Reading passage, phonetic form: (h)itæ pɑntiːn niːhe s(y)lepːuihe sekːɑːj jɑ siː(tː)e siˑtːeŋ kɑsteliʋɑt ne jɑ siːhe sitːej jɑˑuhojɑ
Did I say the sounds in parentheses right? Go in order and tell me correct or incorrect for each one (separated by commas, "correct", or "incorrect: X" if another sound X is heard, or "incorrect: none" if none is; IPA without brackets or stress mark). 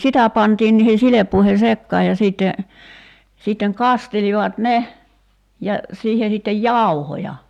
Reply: incorrect: s, incorrect: i, correct